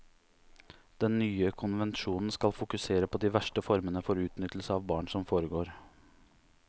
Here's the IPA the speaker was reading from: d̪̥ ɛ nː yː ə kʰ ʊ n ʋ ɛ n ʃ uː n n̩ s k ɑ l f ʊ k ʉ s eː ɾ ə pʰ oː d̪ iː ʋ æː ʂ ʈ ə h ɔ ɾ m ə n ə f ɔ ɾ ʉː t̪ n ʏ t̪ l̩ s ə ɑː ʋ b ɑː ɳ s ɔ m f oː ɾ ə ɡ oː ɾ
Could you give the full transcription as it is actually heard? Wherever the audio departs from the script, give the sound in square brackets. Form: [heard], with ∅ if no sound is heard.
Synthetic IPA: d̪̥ ɛ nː yː ə kʰ ʊ n ʋ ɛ n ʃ uː n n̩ s k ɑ l f ʊ k ʉ s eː ɾ ə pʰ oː d̪ iː ʋ [æ] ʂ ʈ ə [f] ɔ ɾ m ə n ə f ɔ ɾ ʉː t̪ n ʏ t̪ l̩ s ə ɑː ʋ b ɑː ɳ s ɔ m f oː ɾ ə ɡ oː ɾ